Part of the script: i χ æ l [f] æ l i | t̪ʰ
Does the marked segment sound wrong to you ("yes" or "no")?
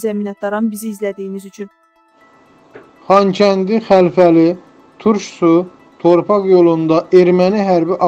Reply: no